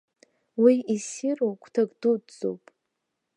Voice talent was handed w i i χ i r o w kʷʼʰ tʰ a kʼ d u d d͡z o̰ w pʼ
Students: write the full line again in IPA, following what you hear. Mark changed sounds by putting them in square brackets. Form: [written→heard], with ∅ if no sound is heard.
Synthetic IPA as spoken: w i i [χ→s] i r o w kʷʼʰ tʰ a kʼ d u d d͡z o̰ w pʼ